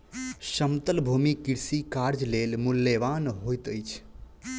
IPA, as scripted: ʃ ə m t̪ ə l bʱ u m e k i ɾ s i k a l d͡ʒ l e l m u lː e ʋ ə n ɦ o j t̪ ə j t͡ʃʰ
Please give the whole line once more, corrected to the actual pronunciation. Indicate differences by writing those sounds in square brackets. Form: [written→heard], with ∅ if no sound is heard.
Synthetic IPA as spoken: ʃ ə m t̪ ə l bʱ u m [e→i] k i ɾ s i k a [l→ɾ] d͡ʒ l e l m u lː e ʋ [ə→a] n ɦ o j t̪ ə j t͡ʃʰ